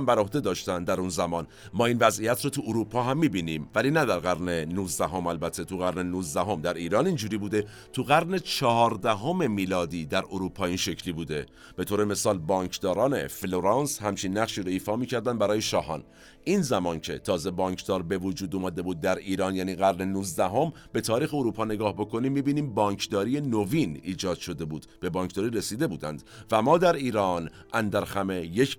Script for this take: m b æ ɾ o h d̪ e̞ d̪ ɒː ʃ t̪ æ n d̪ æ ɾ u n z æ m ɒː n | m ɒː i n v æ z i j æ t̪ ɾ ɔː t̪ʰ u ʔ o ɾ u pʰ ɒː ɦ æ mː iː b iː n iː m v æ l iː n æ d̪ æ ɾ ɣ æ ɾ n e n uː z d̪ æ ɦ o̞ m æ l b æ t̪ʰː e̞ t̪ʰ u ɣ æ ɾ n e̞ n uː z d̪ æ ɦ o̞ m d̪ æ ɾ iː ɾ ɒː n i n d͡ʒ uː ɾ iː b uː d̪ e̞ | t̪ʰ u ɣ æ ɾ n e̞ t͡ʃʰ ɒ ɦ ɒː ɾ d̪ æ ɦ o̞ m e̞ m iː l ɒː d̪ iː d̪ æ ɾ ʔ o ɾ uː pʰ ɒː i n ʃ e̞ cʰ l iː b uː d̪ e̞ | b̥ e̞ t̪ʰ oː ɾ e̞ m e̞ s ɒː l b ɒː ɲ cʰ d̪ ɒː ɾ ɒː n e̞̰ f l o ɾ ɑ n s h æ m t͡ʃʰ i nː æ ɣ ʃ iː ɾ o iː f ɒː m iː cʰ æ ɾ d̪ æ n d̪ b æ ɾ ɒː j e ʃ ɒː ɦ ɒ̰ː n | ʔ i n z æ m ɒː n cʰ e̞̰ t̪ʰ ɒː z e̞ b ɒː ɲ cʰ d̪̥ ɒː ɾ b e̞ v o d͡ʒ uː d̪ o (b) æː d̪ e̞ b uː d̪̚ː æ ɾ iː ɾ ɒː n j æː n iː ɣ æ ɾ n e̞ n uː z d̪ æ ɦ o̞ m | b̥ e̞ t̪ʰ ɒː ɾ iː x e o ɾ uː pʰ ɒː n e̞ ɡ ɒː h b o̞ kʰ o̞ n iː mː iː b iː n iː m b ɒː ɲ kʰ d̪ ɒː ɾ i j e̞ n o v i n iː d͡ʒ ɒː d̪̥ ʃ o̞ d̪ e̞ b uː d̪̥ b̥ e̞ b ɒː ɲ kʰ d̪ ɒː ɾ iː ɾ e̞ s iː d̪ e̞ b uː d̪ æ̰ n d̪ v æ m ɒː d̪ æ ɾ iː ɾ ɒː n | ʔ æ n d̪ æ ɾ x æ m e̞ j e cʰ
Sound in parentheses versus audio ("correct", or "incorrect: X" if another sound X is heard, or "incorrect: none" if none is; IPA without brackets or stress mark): incorrect: m